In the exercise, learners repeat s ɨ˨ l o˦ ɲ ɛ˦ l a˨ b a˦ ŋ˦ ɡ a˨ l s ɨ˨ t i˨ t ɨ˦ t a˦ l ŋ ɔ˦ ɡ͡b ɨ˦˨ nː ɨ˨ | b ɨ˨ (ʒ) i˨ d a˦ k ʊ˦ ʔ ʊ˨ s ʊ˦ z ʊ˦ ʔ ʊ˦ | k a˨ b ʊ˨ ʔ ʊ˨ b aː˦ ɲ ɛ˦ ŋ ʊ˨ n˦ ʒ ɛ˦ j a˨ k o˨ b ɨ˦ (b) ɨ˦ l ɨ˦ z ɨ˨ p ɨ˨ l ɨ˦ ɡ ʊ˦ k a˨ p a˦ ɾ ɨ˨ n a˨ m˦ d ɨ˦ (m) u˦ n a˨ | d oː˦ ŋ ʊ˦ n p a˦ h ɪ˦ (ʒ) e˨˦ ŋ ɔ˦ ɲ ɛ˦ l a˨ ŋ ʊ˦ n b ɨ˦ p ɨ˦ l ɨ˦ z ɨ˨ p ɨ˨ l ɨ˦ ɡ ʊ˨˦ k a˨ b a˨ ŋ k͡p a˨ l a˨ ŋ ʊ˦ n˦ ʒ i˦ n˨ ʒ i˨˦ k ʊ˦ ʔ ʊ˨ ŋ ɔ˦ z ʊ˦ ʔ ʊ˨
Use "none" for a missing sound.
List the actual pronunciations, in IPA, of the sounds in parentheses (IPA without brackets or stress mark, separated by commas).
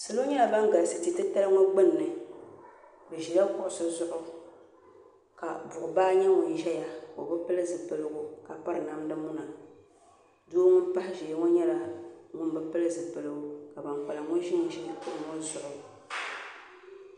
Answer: ʒ, p, m, ʒ